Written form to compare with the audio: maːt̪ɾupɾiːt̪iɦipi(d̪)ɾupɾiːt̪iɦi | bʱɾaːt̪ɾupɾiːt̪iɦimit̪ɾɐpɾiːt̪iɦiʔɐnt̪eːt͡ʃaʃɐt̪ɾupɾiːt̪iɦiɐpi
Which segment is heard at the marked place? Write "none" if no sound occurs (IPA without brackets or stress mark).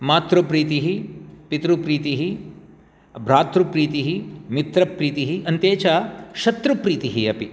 t̪